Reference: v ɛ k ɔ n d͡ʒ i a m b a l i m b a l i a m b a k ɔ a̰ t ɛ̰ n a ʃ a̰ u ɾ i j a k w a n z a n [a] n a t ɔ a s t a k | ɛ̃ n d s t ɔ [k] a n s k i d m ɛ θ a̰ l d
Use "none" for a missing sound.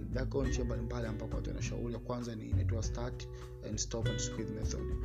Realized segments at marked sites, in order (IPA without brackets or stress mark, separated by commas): i, p